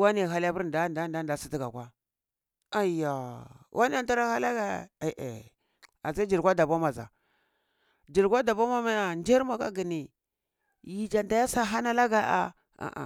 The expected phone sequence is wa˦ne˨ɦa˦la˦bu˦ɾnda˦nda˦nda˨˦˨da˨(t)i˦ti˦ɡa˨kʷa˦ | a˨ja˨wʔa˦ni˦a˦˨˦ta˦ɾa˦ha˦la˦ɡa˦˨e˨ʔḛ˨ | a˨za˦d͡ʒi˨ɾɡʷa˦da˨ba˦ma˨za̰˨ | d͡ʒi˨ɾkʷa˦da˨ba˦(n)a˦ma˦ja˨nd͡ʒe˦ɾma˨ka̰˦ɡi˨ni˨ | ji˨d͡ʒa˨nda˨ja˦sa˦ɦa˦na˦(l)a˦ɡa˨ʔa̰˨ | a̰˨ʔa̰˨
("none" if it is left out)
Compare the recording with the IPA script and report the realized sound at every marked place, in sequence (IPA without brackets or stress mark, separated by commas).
s, m, l